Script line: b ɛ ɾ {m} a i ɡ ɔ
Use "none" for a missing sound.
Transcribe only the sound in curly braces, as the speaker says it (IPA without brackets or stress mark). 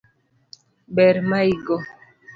m